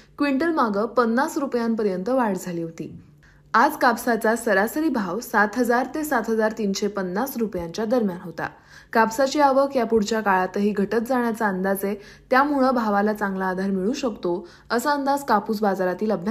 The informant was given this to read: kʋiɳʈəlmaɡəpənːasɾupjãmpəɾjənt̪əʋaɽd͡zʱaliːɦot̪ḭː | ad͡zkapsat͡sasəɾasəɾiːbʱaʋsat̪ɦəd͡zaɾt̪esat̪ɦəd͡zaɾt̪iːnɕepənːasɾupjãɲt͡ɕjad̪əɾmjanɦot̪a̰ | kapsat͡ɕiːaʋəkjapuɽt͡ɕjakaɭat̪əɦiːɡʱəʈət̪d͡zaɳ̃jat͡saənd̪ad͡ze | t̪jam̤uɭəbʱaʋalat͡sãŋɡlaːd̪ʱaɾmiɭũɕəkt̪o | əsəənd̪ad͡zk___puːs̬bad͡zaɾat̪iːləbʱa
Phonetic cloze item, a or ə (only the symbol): a